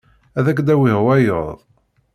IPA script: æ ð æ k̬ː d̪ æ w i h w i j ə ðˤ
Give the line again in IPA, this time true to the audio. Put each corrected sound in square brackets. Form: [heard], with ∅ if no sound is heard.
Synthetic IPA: æ ð æ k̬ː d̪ æ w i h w [æ] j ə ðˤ